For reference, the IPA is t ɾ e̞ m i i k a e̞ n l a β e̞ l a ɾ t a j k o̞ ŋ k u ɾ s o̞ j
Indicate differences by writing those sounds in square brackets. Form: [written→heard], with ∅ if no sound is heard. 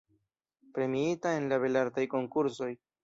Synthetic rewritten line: [t→p] ɾ e̞ m i i [k→t] a e̞ n l a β e̞ l a ɾ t a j k o̞ ŋ k u ɾ s o̞ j